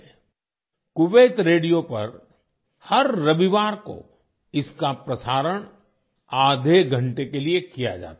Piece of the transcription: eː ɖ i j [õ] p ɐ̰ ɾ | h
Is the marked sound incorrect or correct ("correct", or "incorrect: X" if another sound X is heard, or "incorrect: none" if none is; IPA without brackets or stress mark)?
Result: incorrect: o